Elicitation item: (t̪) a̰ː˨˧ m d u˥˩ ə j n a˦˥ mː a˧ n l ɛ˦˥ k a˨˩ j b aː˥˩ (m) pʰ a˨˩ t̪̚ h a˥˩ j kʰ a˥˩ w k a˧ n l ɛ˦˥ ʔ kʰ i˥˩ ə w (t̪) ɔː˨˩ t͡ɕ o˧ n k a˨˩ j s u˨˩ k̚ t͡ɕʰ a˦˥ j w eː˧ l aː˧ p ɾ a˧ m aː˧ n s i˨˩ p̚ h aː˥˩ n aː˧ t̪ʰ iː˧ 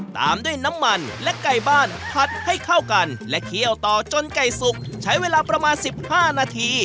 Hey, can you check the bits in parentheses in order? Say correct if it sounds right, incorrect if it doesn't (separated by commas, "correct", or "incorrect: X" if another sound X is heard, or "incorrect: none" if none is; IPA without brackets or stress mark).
correct, incorrect: n, correct